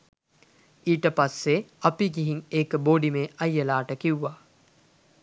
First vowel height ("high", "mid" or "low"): high